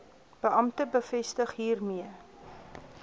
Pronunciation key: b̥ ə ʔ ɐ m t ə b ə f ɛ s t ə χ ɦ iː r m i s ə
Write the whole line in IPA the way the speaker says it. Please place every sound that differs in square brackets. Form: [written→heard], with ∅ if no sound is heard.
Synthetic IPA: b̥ ə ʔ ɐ m t ə b ə f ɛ s t ə χ ɦ iː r m i [s→∅] ə